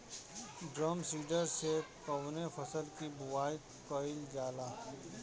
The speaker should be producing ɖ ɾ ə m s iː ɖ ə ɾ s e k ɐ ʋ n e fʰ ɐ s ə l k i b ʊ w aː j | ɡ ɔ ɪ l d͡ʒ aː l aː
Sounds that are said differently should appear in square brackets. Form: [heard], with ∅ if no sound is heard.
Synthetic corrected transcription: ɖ ɾ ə m s iː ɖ ə ɾ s e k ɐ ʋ n e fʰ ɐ s ə l k i b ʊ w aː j | [k] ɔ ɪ l d͡ʒ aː l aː